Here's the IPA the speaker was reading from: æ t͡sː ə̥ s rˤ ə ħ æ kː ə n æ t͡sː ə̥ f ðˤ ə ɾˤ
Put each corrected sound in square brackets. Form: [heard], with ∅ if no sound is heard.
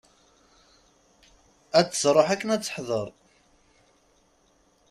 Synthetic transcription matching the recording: æ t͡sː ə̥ s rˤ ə ħ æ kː ə n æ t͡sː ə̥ [ħ] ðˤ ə ɾˤ